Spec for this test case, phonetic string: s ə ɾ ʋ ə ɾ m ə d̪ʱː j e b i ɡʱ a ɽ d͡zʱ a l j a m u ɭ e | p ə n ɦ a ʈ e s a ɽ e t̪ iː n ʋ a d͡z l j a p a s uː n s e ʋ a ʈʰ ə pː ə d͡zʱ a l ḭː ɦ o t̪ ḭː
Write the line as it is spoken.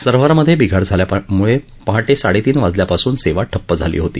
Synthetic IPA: s ə ɾ ʋ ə ɾ m ə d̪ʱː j e b i ɡʱ a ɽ d͡zʱ a l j a m u ɭ e | p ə ɦ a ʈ e s a ɽ e t̪ iː n ʋ a d͡z l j a p a s uː n s e ʋ a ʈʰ ə pː ə d͡zʱ a l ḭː ɦ o t̪ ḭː